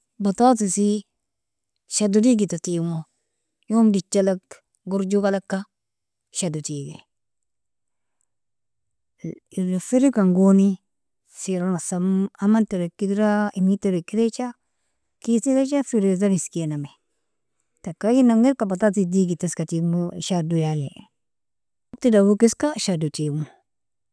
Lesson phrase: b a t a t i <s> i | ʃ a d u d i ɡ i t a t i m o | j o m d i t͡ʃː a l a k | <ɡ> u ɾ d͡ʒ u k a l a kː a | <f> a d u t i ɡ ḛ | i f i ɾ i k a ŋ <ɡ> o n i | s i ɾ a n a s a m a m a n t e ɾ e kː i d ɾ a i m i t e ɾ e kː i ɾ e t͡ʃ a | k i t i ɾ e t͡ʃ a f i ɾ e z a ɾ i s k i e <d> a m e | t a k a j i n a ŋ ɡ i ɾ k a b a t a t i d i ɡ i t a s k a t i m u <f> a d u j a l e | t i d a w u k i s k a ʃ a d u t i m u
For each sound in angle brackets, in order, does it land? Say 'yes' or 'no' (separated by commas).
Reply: yes, yes, no, yes, no, no